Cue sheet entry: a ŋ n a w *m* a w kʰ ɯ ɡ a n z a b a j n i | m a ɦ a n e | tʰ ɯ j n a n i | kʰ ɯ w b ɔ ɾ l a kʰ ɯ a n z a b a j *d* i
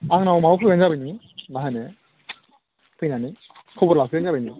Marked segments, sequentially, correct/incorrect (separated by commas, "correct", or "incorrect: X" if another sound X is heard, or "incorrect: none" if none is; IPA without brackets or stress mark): correct, incorrect: n